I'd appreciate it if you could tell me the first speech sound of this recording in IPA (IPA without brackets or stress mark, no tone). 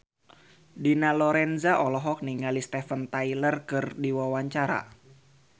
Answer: d